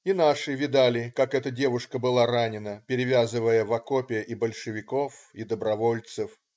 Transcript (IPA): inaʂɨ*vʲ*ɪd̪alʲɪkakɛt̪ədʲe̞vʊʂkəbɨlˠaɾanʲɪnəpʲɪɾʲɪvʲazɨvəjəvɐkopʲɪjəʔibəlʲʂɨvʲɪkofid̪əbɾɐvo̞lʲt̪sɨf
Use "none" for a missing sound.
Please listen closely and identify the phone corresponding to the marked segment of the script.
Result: vʲ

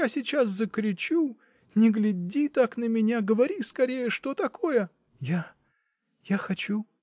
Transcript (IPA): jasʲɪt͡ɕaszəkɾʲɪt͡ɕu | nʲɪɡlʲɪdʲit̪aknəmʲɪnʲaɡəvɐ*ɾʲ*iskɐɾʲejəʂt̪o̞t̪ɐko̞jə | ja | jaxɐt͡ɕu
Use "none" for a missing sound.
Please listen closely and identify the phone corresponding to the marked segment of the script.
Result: ɾʲ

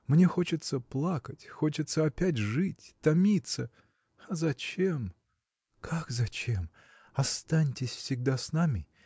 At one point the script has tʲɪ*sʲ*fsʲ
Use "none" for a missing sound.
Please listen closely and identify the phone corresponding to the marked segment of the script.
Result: sʲ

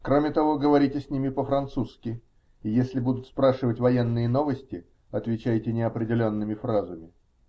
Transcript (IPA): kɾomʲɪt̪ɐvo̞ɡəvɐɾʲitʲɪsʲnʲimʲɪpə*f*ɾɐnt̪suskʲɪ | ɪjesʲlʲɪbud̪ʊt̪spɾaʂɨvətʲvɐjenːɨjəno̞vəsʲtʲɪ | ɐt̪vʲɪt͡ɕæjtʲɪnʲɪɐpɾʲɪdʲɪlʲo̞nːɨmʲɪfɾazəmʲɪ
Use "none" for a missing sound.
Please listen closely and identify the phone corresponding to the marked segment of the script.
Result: f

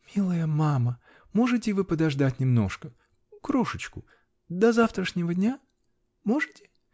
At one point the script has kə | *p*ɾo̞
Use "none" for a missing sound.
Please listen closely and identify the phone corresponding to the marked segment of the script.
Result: k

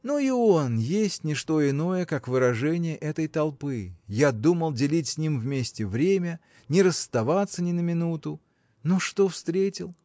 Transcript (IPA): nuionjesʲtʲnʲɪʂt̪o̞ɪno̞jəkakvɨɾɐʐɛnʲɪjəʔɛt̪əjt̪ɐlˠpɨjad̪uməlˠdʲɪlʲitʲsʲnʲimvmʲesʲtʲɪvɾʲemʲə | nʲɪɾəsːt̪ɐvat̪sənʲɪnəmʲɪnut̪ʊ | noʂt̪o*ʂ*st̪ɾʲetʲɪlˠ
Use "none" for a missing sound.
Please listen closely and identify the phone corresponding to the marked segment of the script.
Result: f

